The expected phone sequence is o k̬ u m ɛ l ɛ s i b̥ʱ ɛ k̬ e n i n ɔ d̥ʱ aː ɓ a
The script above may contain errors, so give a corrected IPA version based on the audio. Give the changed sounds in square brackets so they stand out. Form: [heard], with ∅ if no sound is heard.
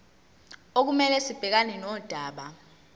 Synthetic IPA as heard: o k̬ u m ɛ l ɛ s i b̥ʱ ɛ k̬ [a] n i n ɔ d̥ʱ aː ɓ a